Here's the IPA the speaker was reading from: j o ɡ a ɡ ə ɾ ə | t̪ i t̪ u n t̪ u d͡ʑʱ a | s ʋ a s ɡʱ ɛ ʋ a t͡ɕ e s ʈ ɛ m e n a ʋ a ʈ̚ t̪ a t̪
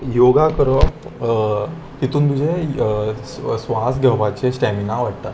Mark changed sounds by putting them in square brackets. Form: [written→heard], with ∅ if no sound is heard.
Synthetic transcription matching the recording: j o ɡ a [ɡ→k] ə ɾ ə | t̪ i t̪ [u→uː] n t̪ u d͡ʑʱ [a→e] | s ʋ a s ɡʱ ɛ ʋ a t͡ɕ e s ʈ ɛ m [e→i] n a ʋ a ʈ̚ t̪ a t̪

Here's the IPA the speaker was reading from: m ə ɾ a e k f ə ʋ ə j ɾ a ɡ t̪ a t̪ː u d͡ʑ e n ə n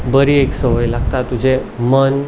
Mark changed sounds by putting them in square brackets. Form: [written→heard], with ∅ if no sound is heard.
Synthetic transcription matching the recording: [m→b] ə ɾ [a→i] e k [f→s] ə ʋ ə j [ɾ→l] a ɡ t̪ a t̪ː u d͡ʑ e [n→m] ə n

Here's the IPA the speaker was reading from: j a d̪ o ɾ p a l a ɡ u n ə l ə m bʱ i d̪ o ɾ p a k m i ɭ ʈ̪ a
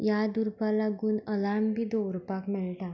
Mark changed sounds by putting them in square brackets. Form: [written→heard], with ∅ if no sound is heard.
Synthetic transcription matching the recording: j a d̪ [o→u] ɾ p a l a ɡ [u→uː] n ə l [ə→a] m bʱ i d̪ o ɾ p a k m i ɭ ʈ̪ a

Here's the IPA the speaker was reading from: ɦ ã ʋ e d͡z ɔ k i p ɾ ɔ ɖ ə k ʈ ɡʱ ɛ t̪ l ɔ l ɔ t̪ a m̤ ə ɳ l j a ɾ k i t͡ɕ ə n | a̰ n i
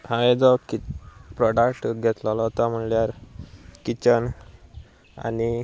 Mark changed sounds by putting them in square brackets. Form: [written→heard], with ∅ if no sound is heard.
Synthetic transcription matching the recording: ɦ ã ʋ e d͡z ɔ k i p ɾ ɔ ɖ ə k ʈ ɡʱ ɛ t̪ l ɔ l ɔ t̪ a m̤ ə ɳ l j a ɾ k i t͡ɕ ə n | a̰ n i

